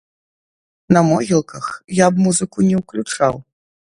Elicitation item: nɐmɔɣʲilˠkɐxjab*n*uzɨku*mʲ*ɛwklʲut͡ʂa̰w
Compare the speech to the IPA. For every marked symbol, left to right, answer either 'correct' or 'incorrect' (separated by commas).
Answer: incorrect, incorrect